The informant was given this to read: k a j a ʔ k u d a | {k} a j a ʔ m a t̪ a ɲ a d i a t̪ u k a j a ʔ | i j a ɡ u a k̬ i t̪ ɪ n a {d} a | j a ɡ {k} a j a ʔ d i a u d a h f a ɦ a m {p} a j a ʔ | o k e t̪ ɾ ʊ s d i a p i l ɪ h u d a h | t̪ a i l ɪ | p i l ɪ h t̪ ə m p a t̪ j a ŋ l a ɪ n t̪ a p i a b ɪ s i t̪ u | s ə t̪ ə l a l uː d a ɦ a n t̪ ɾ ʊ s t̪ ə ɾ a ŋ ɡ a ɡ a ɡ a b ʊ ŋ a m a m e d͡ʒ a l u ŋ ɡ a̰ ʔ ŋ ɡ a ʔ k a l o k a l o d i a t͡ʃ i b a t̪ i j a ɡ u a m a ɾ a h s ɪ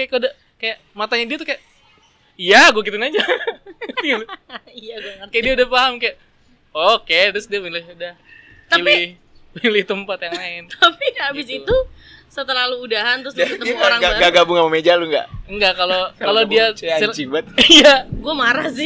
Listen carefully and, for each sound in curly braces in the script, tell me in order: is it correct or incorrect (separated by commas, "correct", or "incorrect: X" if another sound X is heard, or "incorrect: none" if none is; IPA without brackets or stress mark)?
correct, incorrect: d͡ʒ, correct, incorrect: k